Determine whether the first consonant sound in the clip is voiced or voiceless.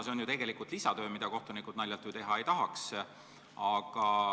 voiceless